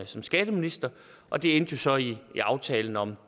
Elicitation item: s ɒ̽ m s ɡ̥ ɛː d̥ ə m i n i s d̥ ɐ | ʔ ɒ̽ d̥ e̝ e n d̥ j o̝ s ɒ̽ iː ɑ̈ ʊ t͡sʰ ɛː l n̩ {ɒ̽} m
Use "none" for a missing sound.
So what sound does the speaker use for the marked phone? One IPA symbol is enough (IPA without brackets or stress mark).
ɒ̽